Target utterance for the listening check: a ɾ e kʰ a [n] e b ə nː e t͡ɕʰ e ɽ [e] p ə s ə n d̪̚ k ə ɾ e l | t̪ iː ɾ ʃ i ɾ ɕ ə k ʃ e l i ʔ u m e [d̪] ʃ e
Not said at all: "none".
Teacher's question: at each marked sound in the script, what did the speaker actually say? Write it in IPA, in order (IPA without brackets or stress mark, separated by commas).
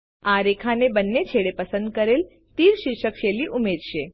n, e, d̪